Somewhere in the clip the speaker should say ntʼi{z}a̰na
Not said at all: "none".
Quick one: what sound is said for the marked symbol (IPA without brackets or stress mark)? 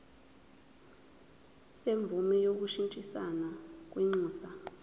s